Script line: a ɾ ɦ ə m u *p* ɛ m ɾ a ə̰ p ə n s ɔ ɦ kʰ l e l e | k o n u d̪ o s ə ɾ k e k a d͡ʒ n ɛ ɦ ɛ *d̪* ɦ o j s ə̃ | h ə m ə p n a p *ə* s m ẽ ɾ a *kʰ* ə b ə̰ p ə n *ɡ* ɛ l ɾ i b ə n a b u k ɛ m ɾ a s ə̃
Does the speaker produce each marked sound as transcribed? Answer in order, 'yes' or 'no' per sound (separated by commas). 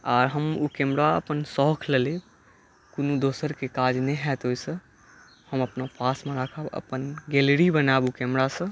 no, no, no, yes, yes